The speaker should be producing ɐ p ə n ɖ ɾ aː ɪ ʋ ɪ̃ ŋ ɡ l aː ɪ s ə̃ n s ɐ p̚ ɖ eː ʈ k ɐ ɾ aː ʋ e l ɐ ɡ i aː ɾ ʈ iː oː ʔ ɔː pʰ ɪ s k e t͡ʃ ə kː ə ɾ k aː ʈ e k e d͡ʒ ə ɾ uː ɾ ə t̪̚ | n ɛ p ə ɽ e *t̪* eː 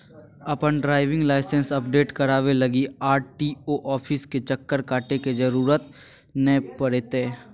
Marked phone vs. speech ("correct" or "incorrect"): correct